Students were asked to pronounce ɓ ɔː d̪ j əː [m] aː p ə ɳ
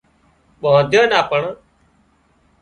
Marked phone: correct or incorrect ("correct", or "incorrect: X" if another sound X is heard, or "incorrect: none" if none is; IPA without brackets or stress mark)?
incorrect: n